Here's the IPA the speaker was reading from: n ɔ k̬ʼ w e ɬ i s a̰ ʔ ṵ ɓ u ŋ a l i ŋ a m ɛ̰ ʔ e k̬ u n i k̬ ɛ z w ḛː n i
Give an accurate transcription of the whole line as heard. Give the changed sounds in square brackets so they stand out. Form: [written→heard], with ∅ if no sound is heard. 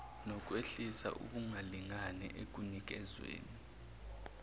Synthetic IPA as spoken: n ɔ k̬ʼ w e ɬ i s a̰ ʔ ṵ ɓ u ŋ a l i ŋ a [m→n] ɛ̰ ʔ e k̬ u n i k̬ ɛ z w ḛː n i